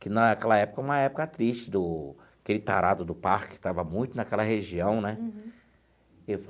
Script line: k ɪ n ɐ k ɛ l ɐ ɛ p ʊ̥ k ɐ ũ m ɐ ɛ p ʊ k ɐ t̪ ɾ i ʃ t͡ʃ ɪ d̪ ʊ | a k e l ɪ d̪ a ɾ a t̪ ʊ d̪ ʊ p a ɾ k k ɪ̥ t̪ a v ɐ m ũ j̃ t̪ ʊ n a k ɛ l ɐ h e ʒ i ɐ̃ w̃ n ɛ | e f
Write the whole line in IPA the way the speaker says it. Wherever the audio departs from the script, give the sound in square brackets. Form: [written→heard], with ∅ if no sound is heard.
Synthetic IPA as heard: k ɪ n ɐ k ɛ l ɐ ɛ p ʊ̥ k ɐ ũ m ɐ ɛ p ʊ k ɐ t̪ ɾ i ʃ t͡ʃ ɪ d̪ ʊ | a k e l ɪ [d̪→t̪] a ɾ a [t̪→d̪] ʊ d̪ ʊ p a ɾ k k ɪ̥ t̪ a v ɐ m ũ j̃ t̪ ʊ n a k ɛ l ɐ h e ʒ i ɐ̃ w̃ n ɛ | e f